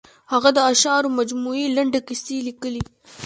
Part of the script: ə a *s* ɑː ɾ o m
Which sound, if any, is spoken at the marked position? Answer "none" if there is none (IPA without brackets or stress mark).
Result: ʃ